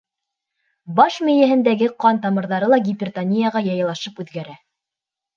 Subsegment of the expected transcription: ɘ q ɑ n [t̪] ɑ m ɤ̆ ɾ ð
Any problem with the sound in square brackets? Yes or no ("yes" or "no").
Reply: no